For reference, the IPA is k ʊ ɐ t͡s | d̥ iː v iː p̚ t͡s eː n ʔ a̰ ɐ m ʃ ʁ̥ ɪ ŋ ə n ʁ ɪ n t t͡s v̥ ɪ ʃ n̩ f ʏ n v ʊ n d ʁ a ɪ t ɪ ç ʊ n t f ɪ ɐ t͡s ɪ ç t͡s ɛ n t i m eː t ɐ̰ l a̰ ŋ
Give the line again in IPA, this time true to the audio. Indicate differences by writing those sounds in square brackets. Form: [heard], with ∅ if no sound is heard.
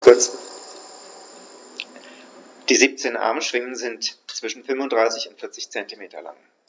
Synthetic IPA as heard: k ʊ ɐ t͡s | d̥ iː [z] iː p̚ t͡s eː n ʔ a̰ ɐ m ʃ [v̥] ɪ ŋ ə n [z] ɪ n t t͡s v̥ ɪ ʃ n̩ f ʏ n v ʊ n d ʁ a ɪ [s] ɪ ç ʊ n t f ɪ ɐ t͡s ɪ ç t͡s ɛ n t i m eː t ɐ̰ l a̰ ŋ